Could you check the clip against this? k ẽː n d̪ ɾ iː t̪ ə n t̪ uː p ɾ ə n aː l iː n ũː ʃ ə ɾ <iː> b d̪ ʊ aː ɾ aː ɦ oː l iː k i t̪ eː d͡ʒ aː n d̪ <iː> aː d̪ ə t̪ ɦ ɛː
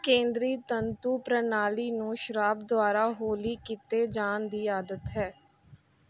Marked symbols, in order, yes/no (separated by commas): no, yes